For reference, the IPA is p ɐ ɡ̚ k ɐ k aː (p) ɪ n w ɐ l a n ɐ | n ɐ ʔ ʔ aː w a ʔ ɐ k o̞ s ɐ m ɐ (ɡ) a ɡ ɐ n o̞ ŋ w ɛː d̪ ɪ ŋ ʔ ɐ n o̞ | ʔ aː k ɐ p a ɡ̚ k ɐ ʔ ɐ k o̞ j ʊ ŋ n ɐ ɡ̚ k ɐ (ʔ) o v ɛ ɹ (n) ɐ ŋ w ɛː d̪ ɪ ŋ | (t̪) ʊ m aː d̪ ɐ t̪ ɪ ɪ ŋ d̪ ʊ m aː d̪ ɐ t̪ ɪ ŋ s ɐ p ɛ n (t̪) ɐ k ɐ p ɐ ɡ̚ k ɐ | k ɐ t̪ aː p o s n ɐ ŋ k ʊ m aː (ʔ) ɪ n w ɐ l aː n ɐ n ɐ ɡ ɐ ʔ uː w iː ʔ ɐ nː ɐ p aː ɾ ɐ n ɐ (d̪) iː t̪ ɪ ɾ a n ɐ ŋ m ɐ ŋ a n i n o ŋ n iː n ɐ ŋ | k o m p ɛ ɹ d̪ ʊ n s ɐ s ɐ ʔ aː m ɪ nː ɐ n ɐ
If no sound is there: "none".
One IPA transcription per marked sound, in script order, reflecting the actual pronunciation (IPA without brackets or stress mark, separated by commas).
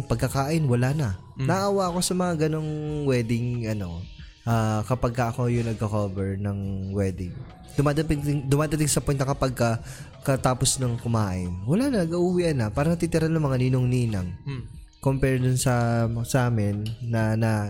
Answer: ʔ, ŋ, k, n, d̪, t̪, ʔ, t̪